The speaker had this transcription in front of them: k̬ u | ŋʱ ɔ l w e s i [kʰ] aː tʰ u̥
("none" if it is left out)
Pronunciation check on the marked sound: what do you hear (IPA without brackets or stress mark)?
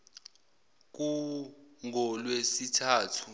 tʰ